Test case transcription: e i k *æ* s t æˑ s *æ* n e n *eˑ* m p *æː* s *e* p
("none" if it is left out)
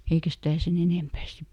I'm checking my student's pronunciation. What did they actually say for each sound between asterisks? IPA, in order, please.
æ, e, eˑ, æː, i

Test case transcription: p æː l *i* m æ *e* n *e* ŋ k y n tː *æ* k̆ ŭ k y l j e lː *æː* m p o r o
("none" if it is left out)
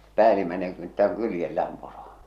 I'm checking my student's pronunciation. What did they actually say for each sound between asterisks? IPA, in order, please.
i, e, e, æ, æː

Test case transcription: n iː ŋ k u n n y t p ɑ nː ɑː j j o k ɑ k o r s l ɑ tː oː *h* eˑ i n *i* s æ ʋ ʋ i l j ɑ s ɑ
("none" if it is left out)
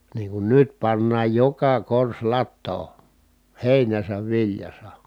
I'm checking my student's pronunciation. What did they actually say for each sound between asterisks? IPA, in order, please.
h, æ

